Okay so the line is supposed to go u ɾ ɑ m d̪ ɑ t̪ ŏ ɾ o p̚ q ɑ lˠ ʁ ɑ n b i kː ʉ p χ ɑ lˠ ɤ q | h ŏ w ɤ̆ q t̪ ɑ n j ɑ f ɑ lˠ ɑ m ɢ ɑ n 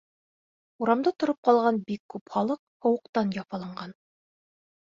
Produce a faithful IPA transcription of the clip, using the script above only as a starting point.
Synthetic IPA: u ɾ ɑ m d̪ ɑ t̪ ŏ ɾ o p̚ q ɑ lˠ ʁ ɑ n b i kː ʉ p χ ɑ lˠ ɤ q | h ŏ w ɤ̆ q t̪ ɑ n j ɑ f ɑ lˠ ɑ ɴ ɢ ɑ n